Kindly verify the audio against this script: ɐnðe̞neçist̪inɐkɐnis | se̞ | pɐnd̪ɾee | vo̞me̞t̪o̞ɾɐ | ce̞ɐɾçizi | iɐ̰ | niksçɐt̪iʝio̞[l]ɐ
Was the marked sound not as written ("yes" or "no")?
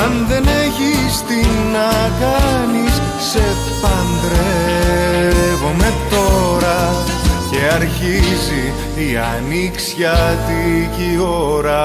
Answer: yes